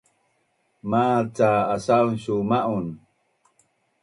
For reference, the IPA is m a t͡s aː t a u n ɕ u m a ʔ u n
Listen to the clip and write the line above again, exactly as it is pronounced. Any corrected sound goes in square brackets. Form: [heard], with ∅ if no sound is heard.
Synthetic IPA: m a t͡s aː [s] a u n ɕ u m a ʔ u n